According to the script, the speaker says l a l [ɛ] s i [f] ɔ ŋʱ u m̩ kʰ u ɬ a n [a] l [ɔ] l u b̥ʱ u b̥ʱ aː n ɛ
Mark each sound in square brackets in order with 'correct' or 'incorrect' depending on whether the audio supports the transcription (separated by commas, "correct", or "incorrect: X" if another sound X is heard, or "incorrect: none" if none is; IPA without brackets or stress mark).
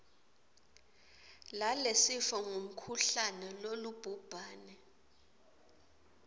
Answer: incorrect: e, correct, incorrect: ɛ, incorrect: o